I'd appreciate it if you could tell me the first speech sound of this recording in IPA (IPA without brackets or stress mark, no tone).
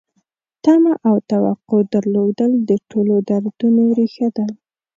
t̪